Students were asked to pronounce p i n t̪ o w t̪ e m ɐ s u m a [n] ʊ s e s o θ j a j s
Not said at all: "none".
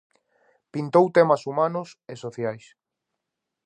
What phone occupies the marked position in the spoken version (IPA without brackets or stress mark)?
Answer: n